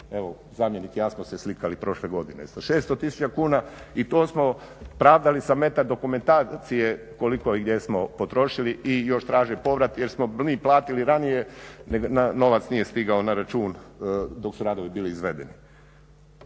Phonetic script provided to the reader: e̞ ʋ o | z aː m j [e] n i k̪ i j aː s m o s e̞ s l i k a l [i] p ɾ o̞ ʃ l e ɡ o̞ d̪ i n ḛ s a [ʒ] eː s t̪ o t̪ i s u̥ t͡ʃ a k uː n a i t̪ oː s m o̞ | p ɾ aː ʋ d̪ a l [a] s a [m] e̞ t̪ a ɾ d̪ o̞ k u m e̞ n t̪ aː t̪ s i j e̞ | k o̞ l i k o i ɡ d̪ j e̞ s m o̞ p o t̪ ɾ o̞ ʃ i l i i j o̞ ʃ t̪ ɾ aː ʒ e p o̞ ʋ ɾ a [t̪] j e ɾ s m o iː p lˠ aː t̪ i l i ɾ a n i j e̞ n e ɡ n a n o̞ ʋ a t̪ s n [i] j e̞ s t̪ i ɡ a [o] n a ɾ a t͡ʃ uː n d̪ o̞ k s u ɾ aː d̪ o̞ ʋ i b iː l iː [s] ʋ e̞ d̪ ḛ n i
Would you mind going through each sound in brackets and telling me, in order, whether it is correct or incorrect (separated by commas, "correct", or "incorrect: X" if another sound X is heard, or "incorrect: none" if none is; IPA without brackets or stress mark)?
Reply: correct, correct, incorrect: ʃ, incorrect: i, correct, correct, correct, correct, incorrect: z